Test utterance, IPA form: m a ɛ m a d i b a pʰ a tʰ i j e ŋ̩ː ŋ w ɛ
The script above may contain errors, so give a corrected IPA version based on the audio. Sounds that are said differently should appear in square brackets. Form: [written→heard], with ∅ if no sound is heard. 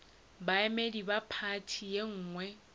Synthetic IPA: [m→b] a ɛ m [a→e] d i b a pʰ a tʰ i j e ŋ̩ː ŋ w ɛ